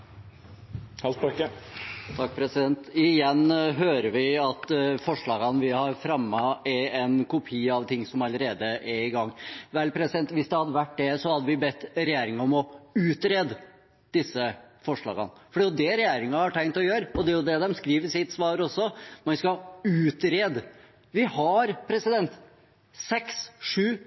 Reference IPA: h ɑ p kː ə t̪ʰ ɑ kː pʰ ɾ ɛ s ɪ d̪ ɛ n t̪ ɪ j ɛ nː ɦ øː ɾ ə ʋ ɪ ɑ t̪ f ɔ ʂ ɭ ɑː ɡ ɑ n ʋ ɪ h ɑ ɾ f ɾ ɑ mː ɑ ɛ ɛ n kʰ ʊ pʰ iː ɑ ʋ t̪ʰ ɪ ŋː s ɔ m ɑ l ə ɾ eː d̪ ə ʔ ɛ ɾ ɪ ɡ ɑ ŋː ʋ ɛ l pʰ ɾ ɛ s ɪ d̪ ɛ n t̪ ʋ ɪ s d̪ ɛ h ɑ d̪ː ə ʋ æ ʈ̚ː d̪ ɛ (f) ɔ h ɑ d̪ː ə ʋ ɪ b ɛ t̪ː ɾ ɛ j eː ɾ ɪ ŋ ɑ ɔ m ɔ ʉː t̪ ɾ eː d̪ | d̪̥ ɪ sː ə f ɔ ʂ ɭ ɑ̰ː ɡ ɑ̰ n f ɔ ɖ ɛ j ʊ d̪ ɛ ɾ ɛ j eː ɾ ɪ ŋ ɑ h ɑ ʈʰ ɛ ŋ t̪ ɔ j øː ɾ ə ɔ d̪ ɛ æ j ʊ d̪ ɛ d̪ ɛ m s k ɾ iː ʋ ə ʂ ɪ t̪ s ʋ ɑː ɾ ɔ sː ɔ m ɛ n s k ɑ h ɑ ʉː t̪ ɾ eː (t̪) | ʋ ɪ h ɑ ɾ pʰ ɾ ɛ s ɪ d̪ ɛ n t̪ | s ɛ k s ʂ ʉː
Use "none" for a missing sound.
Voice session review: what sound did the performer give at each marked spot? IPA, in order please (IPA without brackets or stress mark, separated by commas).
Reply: s, d̪